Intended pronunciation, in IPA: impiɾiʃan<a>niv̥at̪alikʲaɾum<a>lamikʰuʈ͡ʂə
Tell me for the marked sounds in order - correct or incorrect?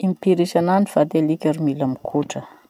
correct, incorrect: i

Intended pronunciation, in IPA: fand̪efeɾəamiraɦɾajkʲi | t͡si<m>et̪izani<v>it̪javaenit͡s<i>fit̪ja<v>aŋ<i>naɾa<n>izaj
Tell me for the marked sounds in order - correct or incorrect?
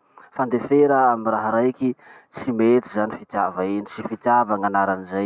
correct, incorrect: f, correct, correct, incorrect: a, correct

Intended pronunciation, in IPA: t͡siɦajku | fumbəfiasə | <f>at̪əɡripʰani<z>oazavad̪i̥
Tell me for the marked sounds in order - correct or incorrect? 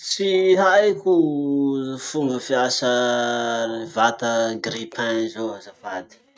incorrect: v, correct

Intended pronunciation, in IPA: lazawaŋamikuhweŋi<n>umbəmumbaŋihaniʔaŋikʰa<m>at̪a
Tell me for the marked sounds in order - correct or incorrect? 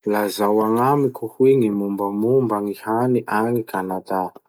incorrect: m, incorrect: n

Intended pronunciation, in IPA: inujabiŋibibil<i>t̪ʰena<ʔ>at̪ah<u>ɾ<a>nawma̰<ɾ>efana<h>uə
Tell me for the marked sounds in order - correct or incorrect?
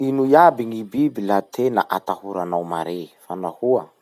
incorrect: a, correct, correct, correct, correct, correct

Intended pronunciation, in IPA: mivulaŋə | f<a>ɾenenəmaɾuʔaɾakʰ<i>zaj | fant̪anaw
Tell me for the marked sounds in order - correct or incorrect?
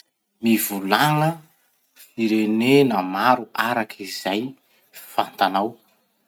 incorrect: i, correct

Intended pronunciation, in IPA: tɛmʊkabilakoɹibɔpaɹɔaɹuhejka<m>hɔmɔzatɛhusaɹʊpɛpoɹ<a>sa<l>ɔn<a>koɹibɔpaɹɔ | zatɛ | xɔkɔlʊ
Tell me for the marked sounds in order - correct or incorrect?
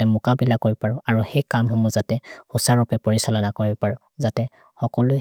correct, incorrect: i, correct, correct

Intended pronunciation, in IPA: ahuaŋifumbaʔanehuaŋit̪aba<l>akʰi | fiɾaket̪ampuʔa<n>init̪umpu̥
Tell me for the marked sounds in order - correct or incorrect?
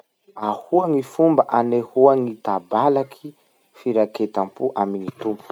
correct, incorrect: m

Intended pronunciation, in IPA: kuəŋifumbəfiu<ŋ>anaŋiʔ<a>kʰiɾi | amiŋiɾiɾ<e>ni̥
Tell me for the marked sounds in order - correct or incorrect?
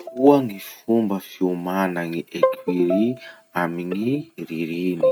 incorrect: m, incorrect: e, incorrect: i

